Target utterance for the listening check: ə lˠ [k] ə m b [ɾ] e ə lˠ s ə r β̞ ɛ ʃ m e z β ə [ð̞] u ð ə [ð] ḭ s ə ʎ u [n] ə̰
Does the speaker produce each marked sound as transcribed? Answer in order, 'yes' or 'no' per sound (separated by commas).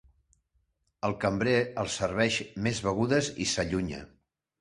yes, yes, no, no, no